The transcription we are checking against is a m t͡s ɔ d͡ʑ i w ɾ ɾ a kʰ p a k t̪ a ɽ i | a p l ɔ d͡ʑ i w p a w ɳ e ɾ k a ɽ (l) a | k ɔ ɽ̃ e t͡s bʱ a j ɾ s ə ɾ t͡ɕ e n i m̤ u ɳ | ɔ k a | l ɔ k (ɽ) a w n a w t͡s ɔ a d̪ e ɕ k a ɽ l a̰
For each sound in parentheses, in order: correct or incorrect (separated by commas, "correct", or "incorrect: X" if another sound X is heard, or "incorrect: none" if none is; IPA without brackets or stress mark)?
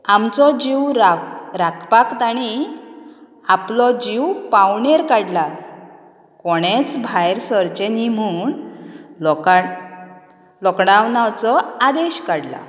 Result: correct, correct